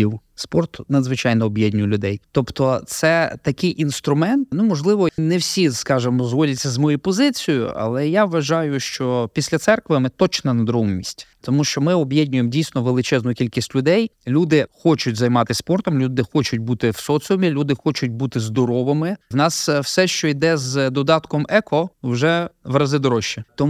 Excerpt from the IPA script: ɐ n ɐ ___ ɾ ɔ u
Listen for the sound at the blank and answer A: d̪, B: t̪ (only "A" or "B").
A